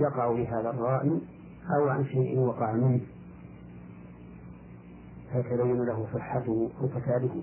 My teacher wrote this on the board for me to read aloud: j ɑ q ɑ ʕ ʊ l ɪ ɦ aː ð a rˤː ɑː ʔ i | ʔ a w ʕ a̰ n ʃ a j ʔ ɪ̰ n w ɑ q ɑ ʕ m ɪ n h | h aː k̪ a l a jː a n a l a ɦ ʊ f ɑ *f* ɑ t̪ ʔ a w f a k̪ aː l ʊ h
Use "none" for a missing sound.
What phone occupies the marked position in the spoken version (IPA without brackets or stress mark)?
ħ